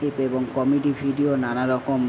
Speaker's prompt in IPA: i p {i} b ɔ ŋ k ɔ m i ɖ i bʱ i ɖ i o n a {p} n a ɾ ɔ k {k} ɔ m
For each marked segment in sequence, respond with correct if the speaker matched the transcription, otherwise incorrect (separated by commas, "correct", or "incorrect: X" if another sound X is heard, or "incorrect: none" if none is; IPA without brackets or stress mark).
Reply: incorrect: e, incorrect: none, correct